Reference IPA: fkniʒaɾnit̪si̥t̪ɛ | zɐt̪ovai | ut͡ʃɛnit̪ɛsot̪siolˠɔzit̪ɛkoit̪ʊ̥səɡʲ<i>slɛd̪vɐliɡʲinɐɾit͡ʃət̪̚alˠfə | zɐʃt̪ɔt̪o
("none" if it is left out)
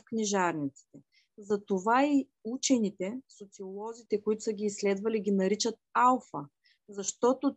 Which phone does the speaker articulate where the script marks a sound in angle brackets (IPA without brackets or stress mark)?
iː